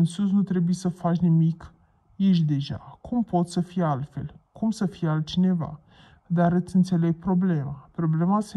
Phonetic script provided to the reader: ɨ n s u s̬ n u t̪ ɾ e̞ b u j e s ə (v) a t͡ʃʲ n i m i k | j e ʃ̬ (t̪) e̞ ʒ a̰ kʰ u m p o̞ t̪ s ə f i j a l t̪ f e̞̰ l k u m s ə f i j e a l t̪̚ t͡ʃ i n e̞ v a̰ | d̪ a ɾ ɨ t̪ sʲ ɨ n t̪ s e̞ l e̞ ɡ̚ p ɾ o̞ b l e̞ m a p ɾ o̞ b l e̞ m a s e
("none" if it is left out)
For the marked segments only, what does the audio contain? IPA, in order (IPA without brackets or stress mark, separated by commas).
f, d̪